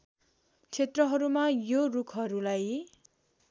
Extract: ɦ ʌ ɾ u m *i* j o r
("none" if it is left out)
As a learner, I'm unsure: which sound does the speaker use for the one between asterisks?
a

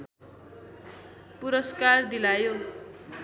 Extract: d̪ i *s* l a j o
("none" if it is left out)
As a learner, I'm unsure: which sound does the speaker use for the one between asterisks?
none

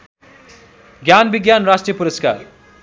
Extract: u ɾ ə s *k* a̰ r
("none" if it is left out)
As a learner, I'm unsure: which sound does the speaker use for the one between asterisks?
k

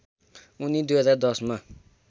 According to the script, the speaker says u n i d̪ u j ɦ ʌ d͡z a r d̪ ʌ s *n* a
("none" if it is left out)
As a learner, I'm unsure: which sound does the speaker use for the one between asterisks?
m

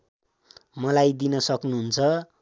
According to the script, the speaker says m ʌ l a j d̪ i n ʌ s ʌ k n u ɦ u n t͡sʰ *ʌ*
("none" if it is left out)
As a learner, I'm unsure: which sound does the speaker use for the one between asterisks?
ʌ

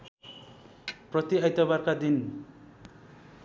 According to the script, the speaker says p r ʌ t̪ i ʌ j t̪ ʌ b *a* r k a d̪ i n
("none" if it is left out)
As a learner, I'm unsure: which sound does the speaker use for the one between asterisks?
a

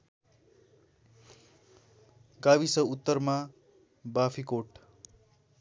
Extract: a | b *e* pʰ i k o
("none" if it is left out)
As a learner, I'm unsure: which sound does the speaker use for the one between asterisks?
a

